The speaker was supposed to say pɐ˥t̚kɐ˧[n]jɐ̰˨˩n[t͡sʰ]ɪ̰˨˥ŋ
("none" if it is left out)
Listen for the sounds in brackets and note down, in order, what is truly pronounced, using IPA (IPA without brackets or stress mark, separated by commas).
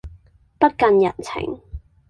n, t͡sʰ